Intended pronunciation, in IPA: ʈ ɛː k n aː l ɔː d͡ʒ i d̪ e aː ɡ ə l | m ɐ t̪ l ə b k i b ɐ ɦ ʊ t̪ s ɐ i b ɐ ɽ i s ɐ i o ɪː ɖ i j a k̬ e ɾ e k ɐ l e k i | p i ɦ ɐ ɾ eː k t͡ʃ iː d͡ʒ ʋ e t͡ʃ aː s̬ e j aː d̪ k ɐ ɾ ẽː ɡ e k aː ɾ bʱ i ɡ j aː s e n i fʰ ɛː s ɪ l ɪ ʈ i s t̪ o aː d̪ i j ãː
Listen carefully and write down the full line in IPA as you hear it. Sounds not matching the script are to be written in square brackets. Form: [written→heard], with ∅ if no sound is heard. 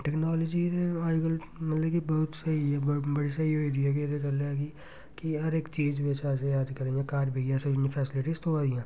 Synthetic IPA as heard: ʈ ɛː k n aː l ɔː d͡ʒ i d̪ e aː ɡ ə l | m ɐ t̪ l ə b k i b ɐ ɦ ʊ t̪ s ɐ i b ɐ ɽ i s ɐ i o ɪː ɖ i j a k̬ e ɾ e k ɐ l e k i | [p→k] i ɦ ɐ ɾ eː k t͡ʃ iː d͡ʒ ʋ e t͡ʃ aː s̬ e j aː d̪ k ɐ ɾ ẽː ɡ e k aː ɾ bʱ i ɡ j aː s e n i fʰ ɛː s ɪ l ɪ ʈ i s t̪ o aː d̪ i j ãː